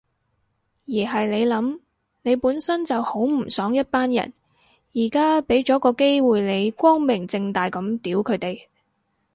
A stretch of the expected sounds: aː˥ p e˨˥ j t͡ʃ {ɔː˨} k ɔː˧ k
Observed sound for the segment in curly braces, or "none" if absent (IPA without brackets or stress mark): ɔː˨˥